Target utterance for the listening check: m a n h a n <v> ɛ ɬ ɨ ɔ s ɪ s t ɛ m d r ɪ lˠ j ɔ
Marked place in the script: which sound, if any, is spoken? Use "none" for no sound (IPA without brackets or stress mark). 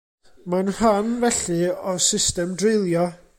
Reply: v